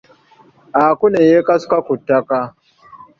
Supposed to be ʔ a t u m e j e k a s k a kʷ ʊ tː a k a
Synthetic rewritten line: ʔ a k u n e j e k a s k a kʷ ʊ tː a k a